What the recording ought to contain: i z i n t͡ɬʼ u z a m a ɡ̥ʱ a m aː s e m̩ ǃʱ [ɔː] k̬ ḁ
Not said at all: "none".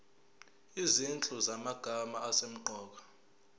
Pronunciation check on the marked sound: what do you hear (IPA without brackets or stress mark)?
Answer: ɔː